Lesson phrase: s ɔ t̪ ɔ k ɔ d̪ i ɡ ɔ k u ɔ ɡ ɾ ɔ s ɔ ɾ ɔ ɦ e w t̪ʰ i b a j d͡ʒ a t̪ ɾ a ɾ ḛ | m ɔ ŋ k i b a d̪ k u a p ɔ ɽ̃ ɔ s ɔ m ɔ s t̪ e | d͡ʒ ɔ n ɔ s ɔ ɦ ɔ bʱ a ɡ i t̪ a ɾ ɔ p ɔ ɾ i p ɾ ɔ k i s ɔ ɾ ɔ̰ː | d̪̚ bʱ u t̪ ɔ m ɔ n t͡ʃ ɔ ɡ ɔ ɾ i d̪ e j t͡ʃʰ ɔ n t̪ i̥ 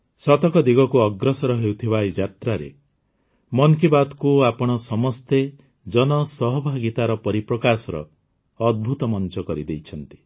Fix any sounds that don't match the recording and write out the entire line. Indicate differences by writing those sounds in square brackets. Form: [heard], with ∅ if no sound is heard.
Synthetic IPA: s ɔ t̪ ɔ k ɔ d̪ i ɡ ɔ k u ɔ ɡ ɾ ɔ s ɔ ɾ ɔ ɦ e w t̪ʰ i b a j d͡ʒ a t̪ ɾ a ɾ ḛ | m ɔ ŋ k i b a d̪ k u a p ɔ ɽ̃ ɔ s ɔ m ɔ s t̪ e | d͡ʒ ɔ n ɔ s ɔ ɦ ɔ bʱ a ɡ i t̪ a ɾ ɔ p ɔ ɾ i p ɾ ɔ k [a] s ɔ ɾ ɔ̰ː | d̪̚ bʱ u t̪ ɔ m ɔ n t͡ʃ ɔ [k] ɔ ɾ i d̪ e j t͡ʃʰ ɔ n t̪ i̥

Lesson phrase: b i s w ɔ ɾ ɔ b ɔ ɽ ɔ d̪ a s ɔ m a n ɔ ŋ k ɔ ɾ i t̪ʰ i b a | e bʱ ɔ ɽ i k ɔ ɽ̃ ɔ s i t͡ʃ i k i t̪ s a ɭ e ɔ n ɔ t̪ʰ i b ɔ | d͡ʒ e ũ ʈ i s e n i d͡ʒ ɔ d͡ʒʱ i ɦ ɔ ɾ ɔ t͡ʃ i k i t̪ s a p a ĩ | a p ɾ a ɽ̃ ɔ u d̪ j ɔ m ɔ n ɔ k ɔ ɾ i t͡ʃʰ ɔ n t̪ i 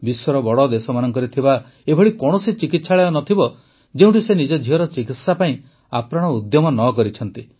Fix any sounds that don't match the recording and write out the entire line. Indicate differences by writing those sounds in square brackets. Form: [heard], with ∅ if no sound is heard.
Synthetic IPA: b i s w ɔ ɾ ɔ b ɔ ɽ ɔ d̪ [e] s ɔ m a n ɔ ŋ k ɔ ɾ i t̪ʰ i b a | e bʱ ɔ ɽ i k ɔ ɽ̃ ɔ s i t͡ʃ i k i t̪ s a ɭ e ɔ n ɔ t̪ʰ i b ɔ | d͡ʒ e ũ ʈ i s e n i d͡ʒ ɔ d͡ʒʱ i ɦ ɔ ɾ ɔ t͡ʃ i k i t̪ s a p a ĩ | a p ɾ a ɽ̃ ɔ u d̪ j ɔ m ɔ n ɔ k ɔ ɾ i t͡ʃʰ ɔ n t̪ i

